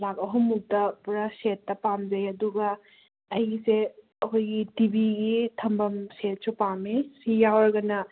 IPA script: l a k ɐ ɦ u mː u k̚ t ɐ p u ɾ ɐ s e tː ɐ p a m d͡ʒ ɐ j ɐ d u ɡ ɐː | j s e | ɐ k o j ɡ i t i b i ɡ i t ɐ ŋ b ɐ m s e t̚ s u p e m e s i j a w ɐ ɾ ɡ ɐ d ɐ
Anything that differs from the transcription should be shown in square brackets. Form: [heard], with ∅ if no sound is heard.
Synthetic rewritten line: l a k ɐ ɦ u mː u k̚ t ɐ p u ɾ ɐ s e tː ɐ p a m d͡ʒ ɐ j ɐ d u ɡ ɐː | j s e | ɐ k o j ɡ i t i b i ɡ i [tʰ] ɐ [m] b ɐ m s e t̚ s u p [a] m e s i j a w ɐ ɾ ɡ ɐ [n] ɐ